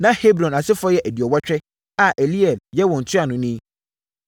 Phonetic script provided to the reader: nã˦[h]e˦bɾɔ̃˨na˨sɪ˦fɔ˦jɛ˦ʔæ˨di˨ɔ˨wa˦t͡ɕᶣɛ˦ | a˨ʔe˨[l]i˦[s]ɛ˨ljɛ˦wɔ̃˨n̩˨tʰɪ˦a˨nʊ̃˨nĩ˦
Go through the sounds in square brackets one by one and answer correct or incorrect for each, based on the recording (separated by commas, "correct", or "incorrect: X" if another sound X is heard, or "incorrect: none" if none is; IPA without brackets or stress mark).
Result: correct, correct, incorrect: none